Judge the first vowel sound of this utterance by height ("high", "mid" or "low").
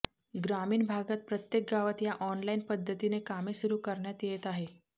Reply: low